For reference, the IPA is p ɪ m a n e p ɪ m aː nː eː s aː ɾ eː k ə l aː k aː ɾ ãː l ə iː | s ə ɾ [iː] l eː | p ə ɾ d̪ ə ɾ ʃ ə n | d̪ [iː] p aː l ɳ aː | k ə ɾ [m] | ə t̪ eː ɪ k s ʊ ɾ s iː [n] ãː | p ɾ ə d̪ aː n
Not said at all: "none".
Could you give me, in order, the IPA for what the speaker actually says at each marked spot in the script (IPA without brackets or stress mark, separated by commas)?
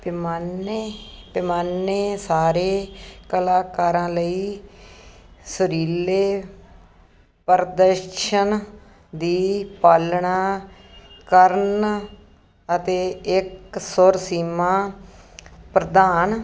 iː, iː, n, m